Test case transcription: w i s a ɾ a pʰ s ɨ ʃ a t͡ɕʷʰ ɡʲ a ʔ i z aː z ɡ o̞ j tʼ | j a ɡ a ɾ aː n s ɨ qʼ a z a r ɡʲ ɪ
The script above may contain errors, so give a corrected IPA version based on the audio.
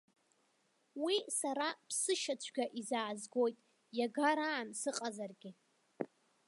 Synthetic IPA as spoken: w i s a ɾ a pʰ s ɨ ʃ a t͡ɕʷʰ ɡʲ a ʔ i z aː z ɡ o̞ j tʼ | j a ɡ a ɾ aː n s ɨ qʼ a z a r ɡʲ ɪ

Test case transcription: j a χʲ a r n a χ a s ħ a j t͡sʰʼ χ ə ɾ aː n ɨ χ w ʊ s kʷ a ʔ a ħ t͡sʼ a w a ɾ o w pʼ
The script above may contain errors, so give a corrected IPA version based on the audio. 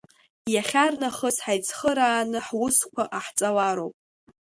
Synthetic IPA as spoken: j a χʲ a r n a χ ə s ħ a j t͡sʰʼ χ ə ɾ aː n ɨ ħ w ʊ s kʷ a ʔ a ħ t͡sʼ a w a ɾ o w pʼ

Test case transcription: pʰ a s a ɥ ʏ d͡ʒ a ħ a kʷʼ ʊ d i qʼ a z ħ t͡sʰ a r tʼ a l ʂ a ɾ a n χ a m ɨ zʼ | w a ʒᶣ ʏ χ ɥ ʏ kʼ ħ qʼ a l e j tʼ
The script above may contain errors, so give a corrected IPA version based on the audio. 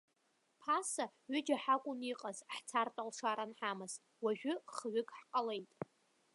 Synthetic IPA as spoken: pʰ a s a ɥ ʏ d͡ʒ a ħ a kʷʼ ʊ n i qʼ a z ħ t͡sʰ a r tʼ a l ʂ a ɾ a n ħ a m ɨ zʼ | w a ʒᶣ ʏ χ ɥ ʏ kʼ ħ qʼ a l e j tʼ

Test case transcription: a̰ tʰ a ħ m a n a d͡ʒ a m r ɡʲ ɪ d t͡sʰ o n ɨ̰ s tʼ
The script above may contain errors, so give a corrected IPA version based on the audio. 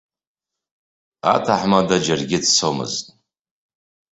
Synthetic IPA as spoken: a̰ tʰ a ħ m a d a d͡ʒ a r ɡʲ ɪ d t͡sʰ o m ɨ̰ z tʼ

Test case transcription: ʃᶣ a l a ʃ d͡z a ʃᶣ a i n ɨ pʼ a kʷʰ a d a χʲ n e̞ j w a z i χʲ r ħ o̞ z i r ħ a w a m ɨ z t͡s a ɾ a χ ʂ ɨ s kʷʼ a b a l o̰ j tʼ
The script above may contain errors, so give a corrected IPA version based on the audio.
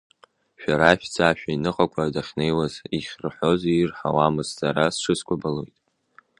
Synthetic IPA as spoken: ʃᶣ a ɾ a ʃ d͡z a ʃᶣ a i n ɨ qʼ a kʷʰ a d a χʲ n e̞ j w a z i χʲ r ħ o̞ z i r ħ a w a m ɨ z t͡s a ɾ a s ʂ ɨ s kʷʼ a b a l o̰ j tʼ

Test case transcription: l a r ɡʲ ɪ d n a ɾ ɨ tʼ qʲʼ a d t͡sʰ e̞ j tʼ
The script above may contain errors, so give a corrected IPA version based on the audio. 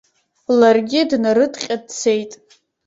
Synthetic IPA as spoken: l a r ɡʲ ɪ d n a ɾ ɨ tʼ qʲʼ a d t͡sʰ e̞ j tʼ

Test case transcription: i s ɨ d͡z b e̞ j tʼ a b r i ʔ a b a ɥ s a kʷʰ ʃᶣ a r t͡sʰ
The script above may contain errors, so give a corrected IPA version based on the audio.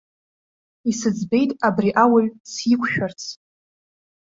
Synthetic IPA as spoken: i s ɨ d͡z b e̞ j tʼ a b r i ʔ a w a ɥ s i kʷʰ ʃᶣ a r t͡sʰ

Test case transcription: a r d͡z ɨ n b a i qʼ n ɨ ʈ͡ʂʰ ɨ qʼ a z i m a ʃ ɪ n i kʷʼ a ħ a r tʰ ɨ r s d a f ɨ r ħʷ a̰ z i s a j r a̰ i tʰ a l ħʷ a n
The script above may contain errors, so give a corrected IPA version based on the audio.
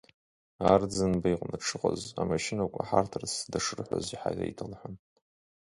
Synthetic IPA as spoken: a r d͡z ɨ n b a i qʼ n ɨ ʈ͡ʂʰ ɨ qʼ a z a m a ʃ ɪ n a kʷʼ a ħ a r tʰ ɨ r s d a ʂ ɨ r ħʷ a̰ z i ħ a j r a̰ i tʰ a l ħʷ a n

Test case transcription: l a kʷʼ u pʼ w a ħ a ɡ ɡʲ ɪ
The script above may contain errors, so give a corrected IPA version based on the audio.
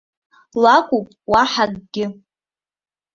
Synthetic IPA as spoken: l a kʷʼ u pʼ w a ħ a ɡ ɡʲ ɪ

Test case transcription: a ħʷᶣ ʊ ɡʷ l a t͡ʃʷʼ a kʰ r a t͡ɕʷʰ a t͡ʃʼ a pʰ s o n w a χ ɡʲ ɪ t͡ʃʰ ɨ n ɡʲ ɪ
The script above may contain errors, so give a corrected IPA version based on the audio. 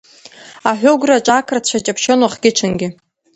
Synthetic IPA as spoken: a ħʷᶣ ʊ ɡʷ r a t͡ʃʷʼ a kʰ r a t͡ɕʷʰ a t͡ʃʼ a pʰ ʃ o n w a χ ɡʲ ɪ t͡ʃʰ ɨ n ɡʲ ɪ

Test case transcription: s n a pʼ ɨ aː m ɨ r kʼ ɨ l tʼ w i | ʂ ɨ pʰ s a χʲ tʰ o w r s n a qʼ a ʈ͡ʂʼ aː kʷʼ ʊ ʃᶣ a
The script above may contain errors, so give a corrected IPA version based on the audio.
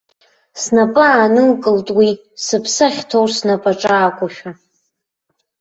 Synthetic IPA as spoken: s n a pʼ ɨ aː n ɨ l kʼ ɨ l tʼ w i | s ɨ pʰ s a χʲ tʰ o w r s n a pʼ a ʈ͡ʂʼ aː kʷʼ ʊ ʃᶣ a

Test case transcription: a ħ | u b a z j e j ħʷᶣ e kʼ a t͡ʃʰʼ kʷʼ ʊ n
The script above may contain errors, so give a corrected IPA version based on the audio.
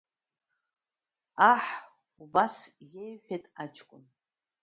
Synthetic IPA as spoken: a ħ | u b a s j e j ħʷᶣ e tʼ a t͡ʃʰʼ kʷʼ ʊ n

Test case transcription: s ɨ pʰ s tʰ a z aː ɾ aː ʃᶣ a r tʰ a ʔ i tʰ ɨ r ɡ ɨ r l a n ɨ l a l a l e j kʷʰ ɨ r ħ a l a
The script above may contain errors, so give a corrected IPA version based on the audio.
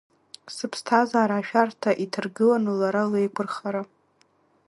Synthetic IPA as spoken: s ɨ pʰ s tʰ a z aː ɾ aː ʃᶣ a r tʰ a ʔ i tʰ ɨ r ɡ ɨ l a n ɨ l a ɾ a l e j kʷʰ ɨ r χ a ɾ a

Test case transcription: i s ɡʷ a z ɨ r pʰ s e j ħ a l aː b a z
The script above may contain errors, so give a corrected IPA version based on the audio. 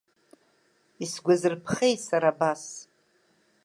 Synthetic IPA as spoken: i s ɡʷ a z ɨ r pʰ χ e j s a ɾ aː b a s

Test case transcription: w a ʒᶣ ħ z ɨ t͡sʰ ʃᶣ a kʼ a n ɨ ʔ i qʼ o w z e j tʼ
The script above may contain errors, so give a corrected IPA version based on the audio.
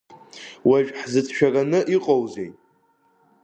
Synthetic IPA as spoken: w a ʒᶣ ħ z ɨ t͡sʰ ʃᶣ a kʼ a n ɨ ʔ i qʼ o w z e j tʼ

